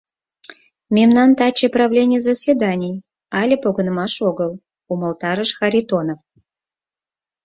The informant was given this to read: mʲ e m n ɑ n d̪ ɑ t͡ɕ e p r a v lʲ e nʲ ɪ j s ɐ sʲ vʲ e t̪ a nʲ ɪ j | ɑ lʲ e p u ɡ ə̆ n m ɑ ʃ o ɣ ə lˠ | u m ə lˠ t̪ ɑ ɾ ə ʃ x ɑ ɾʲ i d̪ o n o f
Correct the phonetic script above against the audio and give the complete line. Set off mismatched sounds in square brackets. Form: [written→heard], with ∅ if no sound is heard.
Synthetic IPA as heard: mʲ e m n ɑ n [d̪→t̪] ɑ t͡ɕ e p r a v lʲ e nʲ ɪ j [s→z] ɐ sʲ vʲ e [t̪→d̪] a nʲ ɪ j | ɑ lʲ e p [u→o] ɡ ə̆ n m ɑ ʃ o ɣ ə lˠ | u m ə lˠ t̪ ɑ ɾ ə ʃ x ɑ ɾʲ i [d̪→t̪] o n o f

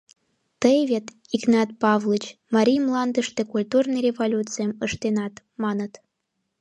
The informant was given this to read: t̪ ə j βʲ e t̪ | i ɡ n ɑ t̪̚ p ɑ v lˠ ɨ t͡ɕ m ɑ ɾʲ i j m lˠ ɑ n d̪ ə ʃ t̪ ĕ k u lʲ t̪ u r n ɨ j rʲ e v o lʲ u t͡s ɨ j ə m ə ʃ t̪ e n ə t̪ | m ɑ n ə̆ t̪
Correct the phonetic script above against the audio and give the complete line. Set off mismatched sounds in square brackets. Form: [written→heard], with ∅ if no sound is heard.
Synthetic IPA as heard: t̪ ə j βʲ e t̪ | i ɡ n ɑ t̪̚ p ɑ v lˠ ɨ t͡ɕ m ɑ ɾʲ i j m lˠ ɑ n d̪ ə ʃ t̪ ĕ k u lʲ t̪ u r n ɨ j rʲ e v o lʲ u t͡s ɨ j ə m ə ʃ t̪ e n [ə→ɑ] t̪ | m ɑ n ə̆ t̪

